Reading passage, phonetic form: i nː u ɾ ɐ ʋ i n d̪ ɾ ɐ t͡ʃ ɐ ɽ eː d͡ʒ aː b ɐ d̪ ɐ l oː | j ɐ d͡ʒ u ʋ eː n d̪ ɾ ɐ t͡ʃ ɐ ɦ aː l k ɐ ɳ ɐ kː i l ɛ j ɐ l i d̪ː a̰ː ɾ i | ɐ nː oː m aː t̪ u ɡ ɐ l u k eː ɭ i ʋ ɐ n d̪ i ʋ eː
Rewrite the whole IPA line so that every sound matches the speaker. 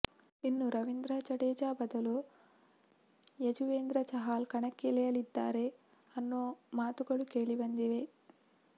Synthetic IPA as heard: i nː u ɾ ɐ ʋ i n d̪ ɾ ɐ t͡ʃ ɐ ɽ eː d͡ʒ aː b ɐ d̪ ɐ l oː | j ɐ d͡ʒ u ʋ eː n d̪ ɾ ɐ t͡ʃ ɐ ɦ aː l k ɐ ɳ ɐ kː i l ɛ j ɐ l i d̪ː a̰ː ɾ e | ɐ nː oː m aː t̪ u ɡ ɐ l u k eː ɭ i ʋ ɐ n d̪ i ʋ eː